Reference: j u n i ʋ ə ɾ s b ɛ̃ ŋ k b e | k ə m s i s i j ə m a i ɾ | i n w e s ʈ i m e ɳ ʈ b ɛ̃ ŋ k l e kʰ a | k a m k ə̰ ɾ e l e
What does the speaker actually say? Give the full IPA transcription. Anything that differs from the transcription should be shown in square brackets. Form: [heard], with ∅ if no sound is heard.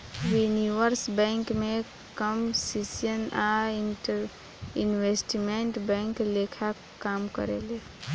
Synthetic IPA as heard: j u n i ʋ ə ɾ s b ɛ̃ ŋ k [m] e | k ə m s i s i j ə [n] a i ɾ | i n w e s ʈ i m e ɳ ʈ b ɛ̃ ŋ k l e kʰ a | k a m k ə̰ ɾ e l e